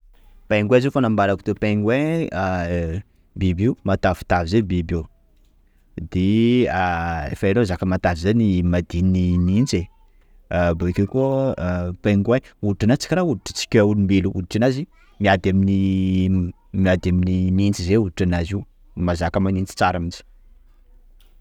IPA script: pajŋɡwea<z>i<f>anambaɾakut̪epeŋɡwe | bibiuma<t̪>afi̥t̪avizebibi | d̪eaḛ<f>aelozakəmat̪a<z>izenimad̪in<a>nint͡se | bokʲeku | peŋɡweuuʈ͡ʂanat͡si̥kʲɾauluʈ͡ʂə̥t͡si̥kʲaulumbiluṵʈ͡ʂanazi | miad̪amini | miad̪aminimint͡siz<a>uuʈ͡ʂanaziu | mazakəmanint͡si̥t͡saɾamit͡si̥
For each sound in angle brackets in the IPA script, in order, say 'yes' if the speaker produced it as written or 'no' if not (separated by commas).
yes, yes, yes, yes, no, no, no